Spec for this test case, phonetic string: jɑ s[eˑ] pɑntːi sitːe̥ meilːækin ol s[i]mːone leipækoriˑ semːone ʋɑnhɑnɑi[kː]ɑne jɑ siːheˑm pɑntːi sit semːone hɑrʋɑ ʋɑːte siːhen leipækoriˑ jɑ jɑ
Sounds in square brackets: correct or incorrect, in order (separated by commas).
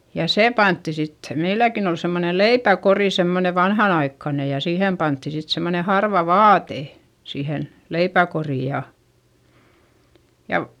correct, incorrect, correct